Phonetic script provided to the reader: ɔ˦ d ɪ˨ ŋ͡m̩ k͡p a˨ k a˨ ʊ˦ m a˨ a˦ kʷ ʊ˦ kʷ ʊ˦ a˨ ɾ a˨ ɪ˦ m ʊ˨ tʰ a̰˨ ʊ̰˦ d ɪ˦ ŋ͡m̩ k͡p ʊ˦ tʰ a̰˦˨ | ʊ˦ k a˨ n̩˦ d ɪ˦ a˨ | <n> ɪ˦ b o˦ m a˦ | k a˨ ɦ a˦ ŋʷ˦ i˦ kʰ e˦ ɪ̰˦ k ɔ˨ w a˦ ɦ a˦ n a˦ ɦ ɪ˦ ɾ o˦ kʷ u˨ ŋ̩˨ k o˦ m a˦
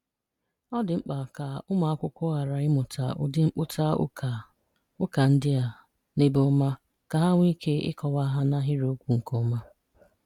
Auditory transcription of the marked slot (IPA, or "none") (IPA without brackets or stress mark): n